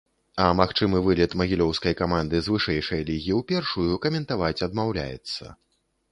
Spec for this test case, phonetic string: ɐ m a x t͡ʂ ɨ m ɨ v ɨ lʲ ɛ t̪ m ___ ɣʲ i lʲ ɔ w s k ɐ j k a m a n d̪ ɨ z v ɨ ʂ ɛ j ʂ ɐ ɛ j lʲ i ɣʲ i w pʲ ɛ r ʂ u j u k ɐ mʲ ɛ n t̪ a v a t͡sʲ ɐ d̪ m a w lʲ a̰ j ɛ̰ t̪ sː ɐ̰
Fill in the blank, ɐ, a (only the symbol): ɐ